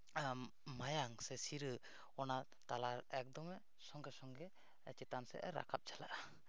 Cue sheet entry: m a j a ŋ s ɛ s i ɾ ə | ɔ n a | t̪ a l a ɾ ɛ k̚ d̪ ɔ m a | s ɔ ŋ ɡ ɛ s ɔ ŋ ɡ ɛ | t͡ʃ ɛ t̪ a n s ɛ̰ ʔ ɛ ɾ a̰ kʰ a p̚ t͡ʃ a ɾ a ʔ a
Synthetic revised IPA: m a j a ŋ s ɛ s i ɾ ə | ɔ n a | t̪ a l a ɾ ɛ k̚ d̪ ɔ m ɛ | s ɔ ŋ ɡ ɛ s ɔ ŋ ɡ ɛ | t͡ʃ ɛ t̪ a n s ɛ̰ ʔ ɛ ɾ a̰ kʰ a p̚ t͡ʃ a l a ʔ a